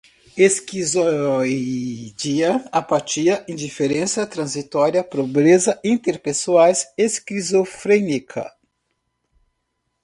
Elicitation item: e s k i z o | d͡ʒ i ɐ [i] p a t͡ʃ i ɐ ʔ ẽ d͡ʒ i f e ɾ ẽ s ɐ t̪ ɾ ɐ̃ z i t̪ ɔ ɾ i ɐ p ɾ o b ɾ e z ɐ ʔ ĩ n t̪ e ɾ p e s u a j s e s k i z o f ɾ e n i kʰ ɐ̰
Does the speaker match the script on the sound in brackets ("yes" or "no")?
no